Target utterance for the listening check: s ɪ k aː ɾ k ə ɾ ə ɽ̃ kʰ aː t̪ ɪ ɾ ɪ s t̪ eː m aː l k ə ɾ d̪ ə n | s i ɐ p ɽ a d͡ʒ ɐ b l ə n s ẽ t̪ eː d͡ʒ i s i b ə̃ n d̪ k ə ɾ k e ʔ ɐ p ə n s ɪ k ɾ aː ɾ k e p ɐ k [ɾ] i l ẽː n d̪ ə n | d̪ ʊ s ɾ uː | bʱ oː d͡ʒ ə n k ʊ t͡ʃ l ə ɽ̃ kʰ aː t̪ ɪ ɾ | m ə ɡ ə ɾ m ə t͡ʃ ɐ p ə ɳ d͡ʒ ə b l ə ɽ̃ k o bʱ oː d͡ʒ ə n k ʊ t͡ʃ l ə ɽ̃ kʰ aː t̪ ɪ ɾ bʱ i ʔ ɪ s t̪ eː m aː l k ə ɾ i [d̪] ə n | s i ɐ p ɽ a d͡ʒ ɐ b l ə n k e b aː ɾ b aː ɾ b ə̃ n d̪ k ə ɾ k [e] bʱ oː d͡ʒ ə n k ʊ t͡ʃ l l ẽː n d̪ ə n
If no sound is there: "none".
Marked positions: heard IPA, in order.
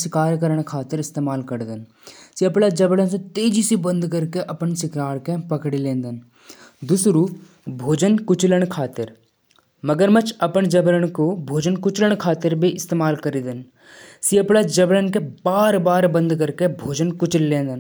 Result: ɽ, d̪, e

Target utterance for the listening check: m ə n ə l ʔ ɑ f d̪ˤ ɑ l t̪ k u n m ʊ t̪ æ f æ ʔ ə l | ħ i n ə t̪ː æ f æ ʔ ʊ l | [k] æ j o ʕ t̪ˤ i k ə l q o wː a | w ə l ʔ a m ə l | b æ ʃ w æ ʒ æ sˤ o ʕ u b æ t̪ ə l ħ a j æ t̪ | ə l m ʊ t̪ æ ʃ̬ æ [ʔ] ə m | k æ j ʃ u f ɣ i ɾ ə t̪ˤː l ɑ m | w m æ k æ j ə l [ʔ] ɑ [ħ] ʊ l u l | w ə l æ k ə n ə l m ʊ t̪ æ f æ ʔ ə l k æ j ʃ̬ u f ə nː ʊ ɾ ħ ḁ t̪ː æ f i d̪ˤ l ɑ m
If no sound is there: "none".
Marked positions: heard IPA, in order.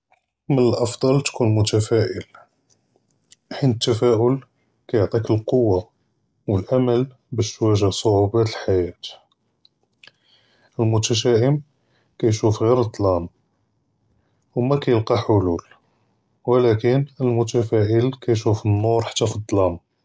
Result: k, ʔ, q, ħ

